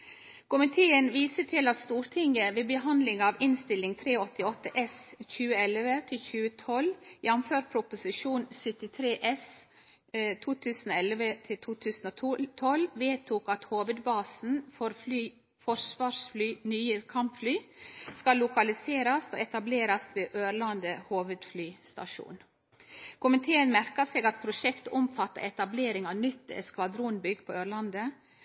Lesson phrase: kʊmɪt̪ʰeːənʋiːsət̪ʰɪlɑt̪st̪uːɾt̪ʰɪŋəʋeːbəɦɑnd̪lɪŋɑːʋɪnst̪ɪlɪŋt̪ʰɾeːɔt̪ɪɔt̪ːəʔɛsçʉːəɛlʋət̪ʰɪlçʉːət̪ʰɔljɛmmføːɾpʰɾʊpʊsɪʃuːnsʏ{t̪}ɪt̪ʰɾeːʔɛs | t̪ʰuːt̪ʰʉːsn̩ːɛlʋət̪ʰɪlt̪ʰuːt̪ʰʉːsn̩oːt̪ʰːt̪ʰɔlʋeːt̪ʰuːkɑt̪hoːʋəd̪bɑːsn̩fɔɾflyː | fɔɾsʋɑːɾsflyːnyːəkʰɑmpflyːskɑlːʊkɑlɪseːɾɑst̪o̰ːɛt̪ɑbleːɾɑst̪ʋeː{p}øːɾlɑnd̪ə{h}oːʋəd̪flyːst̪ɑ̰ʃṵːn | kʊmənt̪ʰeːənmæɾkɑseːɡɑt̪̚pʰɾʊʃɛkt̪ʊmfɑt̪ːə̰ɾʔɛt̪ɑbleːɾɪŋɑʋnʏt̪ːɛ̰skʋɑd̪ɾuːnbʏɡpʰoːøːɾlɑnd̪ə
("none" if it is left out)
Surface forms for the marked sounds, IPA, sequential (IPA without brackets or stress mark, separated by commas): t̪, ʔ, h